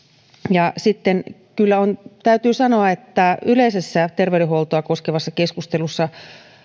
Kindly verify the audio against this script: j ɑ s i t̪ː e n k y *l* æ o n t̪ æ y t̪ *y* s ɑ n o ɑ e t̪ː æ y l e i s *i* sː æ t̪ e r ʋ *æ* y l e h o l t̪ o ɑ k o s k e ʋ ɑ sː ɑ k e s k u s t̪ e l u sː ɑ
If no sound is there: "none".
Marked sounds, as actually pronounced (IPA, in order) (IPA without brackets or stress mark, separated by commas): lː, yː, e, e